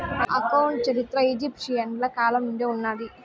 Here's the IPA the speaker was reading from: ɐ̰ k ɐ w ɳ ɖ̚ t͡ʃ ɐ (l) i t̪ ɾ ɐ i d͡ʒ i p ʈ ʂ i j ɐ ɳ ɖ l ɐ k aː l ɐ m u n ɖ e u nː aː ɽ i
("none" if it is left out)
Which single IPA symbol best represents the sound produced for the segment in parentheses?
ɾ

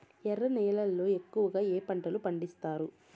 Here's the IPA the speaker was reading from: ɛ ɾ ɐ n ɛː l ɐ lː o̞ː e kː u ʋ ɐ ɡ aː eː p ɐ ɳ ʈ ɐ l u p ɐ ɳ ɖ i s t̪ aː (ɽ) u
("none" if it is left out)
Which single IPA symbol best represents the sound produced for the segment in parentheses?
ɾ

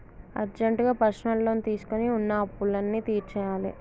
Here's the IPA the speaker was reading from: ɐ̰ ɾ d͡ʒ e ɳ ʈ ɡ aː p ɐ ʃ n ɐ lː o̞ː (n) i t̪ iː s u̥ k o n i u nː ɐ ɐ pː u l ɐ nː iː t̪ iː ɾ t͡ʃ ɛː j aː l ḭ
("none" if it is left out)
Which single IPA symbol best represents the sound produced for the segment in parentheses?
n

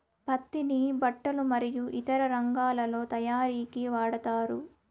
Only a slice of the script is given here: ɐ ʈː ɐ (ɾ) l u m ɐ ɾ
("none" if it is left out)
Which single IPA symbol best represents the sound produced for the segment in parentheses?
none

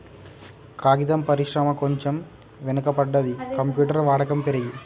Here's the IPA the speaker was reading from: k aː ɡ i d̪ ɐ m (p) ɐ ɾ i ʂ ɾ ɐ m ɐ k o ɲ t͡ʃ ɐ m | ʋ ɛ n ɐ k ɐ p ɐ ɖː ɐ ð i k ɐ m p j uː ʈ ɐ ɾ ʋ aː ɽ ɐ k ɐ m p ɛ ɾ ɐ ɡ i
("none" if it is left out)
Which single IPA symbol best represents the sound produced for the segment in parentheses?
p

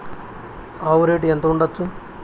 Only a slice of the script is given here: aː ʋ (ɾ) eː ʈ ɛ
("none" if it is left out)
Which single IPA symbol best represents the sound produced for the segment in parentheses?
ɾ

